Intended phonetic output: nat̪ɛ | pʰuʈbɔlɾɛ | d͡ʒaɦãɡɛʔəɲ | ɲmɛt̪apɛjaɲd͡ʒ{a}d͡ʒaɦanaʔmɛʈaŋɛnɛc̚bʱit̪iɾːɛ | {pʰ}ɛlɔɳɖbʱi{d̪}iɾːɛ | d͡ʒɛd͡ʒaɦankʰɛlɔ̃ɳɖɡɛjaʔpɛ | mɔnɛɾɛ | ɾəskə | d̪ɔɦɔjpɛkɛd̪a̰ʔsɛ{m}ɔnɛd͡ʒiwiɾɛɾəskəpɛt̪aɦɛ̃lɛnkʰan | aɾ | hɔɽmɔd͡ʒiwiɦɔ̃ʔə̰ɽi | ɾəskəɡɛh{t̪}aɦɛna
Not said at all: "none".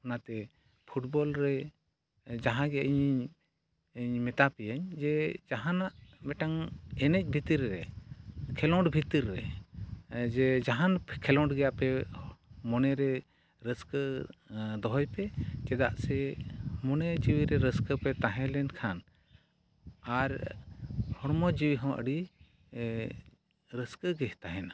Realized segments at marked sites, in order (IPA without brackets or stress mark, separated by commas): ɛ, kʰ, t̪, m, t̪